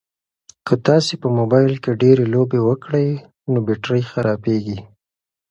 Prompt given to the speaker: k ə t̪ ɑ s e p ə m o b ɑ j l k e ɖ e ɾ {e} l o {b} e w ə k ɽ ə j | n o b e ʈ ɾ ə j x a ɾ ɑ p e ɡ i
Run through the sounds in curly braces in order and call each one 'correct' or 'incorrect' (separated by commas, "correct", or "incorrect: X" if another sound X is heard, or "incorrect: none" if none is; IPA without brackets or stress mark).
correct, correct